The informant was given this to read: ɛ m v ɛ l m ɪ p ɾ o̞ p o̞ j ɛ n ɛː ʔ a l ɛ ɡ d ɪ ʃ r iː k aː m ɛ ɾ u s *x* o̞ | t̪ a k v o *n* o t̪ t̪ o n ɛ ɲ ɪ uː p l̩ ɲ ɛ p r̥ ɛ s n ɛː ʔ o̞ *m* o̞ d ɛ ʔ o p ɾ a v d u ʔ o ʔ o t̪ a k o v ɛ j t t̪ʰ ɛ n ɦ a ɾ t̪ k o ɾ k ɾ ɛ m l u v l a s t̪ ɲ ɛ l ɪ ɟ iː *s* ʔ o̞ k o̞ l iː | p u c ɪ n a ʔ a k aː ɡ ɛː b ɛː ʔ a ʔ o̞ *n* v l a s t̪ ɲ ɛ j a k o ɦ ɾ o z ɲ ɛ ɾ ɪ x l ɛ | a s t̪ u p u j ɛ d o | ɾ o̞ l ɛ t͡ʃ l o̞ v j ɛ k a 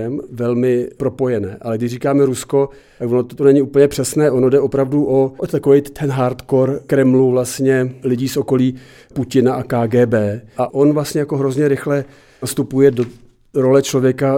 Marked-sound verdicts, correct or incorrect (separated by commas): incorrect, correct, incorrect, correct, correct